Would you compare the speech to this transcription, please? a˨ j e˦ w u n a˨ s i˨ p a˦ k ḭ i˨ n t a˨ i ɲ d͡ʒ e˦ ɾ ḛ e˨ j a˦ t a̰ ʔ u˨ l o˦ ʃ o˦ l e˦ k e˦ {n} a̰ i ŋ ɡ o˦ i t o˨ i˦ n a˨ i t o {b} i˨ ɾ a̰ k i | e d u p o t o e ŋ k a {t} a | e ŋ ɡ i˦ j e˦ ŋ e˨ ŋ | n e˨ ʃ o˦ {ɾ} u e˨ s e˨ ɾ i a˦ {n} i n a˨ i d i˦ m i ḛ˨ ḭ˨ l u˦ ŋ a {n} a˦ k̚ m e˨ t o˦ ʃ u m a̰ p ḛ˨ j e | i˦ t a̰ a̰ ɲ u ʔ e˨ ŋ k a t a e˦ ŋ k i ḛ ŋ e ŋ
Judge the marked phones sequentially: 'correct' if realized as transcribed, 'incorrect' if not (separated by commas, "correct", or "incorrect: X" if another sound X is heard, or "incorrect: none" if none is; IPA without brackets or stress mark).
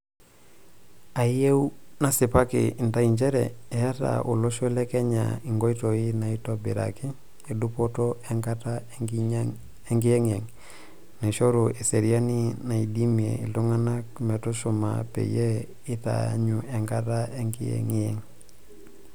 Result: incorrect: ɲ, correct, correct, correct, correct, correct